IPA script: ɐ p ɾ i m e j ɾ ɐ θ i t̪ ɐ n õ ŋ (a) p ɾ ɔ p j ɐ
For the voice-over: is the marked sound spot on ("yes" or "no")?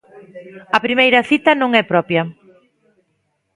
no